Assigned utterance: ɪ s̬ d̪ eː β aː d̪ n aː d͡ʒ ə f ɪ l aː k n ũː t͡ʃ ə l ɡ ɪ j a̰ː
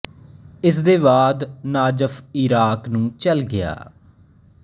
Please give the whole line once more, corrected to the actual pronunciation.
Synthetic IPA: ɪ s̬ d̪ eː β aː d̪ n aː d͡ʒ ə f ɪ ɾ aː k n ũː t͡ʃ ə l ɡ ɪ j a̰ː